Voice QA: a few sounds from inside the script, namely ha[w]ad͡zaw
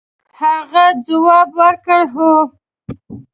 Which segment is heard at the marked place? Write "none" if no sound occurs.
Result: ɣ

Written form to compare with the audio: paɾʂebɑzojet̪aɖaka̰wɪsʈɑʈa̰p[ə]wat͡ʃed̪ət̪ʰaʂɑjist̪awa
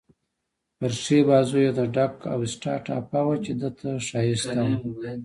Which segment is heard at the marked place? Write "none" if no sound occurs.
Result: a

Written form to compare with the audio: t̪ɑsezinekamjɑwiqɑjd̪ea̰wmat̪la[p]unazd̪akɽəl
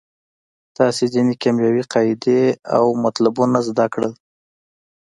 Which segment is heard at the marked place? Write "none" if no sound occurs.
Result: b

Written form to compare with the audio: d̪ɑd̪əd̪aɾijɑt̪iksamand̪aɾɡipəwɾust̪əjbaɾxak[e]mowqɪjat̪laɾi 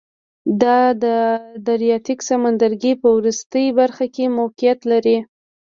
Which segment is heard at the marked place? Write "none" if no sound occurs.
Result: e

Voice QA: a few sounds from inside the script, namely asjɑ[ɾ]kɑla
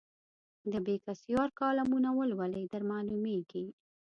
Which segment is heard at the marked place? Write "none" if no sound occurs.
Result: ɾ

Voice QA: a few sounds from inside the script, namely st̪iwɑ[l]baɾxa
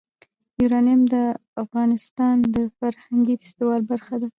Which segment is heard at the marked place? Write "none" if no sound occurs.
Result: l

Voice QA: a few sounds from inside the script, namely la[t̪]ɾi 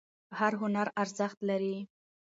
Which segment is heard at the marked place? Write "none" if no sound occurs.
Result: none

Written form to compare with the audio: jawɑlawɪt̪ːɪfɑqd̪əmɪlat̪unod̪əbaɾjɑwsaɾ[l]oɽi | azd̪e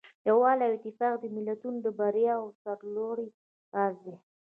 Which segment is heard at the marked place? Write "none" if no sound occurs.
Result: l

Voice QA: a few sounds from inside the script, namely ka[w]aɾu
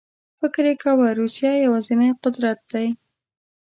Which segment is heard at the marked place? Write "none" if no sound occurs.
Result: w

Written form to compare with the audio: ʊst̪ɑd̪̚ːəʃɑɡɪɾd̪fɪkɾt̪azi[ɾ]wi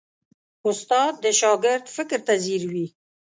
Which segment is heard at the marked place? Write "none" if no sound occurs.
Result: ɾ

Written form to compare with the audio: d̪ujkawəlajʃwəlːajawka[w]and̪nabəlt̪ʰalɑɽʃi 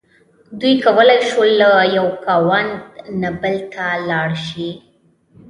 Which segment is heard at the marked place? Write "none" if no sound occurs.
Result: w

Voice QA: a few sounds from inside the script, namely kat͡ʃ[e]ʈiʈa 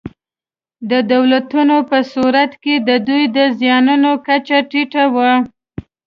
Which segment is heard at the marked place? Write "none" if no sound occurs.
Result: a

